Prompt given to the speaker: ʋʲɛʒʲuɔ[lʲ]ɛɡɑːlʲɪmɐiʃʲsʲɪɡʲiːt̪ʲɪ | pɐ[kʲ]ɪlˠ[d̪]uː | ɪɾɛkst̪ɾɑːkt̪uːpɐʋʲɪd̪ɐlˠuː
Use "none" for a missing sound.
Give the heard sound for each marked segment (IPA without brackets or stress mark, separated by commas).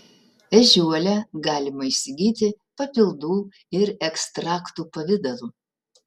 lʲ, pʲ, d̪